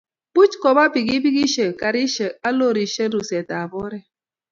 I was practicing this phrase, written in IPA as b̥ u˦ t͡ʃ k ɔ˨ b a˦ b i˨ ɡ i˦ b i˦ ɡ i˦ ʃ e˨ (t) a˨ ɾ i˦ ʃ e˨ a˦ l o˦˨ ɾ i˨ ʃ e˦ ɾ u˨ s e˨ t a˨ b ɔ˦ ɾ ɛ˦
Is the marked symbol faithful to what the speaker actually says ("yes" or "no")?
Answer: no